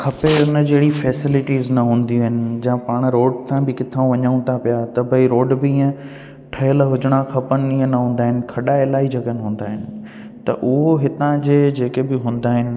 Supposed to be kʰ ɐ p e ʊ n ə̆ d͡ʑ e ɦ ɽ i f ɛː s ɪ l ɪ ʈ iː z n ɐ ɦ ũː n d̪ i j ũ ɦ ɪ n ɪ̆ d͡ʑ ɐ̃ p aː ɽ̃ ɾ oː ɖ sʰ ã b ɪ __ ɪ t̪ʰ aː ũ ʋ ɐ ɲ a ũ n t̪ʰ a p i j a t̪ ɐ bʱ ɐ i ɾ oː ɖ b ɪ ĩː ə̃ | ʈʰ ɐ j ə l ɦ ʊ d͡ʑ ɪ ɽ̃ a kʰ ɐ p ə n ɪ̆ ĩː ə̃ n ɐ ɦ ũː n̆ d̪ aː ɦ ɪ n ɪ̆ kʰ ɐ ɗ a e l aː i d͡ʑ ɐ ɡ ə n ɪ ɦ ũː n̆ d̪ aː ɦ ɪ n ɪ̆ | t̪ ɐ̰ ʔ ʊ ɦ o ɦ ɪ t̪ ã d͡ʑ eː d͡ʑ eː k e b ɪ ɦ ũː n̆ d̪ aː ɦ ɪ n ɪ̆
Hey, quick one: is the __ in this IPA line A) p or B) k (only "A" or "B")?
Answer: B